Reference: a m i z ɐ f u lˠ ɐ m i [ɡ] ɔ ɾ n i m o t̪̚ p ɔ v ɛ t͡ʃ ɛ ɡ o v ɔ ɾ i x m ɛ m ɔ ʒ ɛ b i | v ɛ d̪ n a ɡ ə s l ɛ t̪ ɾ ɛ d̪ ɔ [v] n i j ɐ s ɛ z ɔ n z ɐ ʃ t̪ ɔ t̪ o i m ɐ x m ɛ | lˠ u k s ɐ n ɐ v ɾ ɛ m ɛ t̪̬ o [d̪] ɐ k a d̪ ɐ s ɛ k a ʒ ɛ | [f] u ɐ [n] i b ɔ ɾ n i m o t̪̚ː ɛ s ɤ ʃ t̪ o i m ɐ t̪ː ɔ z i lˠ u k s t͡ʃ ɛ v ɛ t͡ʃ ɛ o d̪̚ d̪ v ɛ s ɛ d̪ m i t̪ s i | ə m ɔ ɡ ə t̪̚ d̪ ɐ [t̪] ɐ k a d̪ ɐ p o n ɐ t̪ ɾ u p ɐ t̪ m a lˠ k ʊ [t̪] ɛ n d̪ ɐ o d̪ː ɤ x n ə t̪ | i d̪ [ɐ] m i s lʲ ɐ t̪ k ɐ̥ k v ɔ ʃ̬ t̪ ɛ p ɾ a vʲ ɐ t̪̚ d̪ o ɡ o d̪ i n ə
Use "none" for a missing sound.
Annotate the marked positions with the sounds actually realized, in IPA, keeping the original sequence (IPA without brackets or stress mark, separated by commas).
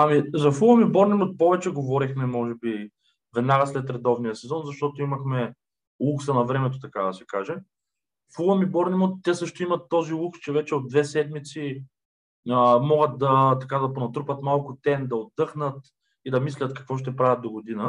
b, v, t̪, f, m, t̪, t̪, ɐ